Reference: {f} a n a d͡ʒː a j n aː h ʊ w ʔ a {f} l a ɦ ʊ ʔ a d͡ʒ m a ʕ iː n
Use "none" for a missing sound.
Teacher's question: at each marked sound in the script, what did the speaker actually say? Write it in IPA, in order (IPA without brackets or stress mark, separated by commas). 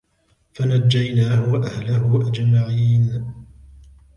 f, h